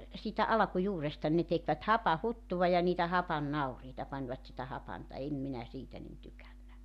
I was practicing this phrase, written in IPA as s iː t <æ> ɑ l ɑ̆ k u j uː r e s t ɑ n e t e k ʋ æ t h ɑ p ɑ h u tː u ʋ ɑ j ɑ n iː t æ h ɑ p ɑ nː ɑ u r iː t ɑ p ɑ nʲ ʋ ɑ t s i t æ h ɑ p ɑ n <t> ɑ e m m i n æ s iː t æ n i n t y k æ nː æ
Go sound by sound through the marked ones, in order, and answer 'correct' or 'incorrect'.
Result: correct, correct

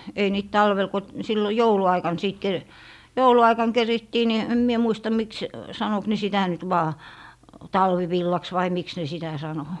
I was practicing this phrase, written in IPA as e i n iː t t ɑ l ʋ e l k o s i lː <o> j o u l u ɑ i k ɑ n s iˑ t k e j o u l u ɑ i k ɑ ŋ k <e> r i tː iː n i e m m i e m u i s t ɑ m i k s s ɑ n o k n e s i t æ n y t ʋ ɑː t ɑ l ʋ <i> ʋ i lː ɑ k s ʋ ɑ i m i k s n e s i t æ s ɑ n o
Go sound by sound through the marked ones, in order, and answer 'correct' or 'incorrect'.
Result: correct, correct, correct

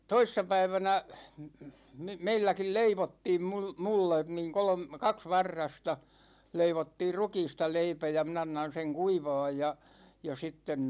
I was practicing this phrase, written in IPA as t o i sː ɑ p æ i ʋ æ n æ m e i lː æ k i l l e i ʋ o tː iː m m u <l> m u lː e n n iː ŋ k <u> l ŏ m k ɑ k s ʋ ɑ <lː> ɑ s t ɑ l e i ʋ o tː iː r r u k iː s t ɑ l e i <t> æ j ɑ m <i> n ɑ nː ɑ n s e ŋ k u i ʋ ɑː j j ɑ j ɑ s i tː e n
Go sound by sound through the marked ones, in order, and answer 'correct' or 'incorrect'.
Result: correct, incorrect: o, incorrect: rː, incorrect: p, correct

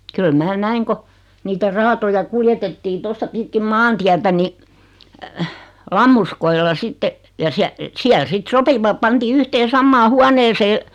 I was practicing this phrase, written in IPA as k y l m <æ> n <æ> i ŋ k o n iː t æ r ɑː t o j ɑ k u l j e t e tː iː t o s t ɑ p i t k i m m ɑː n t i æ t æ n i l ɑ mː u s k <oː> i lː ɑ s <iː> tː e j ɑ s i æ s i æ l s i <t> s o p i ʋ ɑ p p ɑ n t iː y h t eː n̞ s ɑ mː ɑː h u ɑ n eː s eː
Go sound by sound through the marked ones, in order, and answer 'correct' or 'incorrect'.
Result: incorrect: æː, correct, incorrect: o, incorrect: i, correct

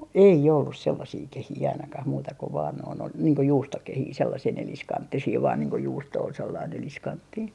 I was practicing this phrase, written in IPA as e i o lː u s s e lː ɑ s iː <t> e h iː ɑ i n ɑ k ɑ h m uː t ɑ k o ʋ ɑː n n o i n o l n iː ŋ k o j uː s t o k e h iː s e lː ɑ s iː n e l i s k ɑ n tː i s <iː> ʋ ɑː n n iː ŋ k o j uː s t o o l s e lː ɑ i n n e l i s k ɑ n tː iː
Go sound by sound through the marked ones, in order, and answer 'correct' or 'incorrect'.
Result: incorrect: k, correct

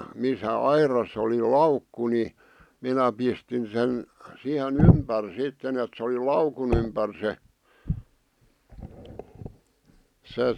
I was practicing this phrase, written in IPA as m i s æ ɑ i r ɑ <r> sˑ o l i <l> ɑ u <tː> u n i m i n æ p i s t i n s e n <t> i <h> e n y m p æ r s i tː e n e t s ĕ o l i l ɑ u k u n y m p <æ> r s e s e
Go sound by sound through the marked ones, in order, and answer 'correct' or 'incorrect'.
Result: incorrect: none, correct, incorrect: kː, incorrect: s, correct, correct

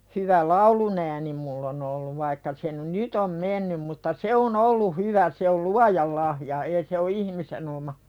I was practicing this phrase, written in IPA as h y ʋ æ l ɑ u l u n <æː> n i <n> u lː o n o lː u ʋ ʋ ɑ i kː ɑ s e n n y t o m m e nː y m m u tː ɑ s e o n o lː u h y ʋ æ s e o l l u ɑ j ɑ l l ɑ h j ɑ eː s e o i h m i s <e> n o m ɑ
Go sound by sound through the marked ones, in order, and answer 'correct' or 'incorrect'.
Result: correct, incorrect: m, correct

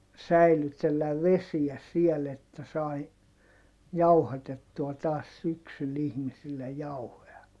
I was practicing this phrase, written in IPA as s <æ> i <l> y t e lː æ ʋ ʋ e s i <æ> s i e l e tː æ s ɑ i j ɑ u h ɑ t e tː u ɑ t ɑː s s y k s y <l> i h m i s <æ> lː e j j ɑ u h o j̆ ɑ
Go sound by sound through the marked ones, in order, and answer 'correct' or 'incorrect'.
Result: correct, correct, correct, correct, incorrect: i

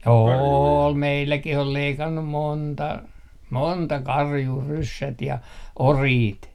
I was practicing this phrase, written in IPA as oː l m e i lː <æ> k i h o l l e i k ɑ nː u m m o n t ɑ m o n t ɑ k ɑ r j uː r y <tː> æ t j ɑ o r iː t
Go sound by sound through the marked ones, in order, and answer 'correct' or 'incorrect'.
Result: correct, incorrect: sː

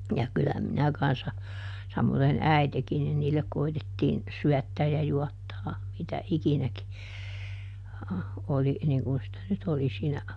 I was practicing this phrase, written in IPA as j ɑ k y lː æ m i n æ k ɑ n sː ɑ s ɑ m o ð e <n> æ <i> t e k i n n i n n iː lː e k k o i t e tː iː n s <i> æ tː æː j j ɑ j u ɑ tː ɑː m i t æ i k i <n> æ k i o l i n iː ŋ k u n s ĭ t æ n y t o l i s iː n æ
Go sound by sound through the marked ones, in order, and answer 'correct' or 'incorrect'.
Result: correct, correct, incorrect: y, correct

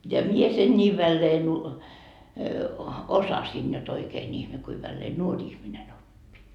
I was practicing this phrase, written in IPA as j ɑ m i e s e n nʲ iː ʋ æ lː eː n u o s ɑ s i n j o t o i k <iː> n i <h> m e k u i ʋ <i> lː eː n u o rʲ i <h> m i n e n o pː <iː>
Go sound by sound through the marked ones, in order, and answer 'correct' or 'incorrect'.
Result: incorrect: eː, correct, incorrect: æ, correct, incorrect: i

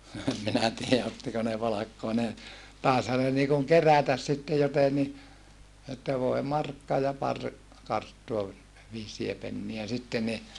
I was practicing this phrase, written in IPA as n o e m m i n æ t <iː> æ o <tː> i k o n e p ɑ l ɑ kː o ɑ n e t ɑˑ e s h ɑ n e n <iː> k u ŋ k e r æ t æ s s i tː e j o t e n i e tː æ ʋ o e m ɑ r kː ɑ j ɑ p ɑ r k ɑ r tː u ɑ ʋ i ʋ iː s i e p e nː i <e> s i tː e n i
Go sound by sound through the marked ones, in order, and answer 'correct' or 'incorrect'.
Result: correct, correct, correct, incorrect: æ

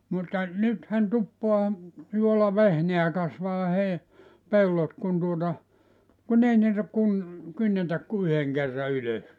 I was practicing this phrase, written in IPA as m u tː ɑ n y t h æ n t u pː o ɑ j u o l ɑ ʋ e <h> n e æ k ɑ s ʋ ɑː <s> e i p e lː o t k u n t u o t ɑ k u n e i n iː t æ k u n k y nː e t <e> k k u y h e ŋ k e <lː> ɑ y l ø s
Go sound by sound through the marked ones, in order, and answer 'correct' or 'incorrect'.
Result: correct, incorrect: h, incorrect: æ, incorrect: rː

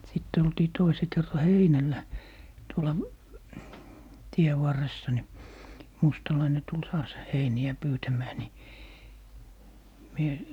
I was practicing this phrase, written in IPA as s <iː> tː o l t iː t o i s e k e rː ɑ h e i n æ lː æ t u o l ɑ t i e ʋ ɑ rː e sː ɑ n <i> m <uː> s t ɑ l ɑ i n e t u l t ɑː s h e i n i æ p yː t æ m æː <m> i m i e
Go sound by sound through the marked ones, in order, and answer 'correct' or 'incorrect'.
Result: incorrect: i, correct, incorrect: u, incorrect: n

